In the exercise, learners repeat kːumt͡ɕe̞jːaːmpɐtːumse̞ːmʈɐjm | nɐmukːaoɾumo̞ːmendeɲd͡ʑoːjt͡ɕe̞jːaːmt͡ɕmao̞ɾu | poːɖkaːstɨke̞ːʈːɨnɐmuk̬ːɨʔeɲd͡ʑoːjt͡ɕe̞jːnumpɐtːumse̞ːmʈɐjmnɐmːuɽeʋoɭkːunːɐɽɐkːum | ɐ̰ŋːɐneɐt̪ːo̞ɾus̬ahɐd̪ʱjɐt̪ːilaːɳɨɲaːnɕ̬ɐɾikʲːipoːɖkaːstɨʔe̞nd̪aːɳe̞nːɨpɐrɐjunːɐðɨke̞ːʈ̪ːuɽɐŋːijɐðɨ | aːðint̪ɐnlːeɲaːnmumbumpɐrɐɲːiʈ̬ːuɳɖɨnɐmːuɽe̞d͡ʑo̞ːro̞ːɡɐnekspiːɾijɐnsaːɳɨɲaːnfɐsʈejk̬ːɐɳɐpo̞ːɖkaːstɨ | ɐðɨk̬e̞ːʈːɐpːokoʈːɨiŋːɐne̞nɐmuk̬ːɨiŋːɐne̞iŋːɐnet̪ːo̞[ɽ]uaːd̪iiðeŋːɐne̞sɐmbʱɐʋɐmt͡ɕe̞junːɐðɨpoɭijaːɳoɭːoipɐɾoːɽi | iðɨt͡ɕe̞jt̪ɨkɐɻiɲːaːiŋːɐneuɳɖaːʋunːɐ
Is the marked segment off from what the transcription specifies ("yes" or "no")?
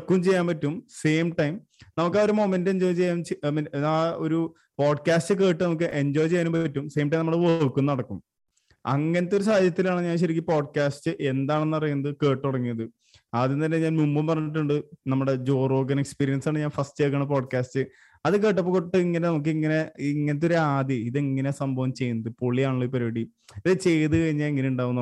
yes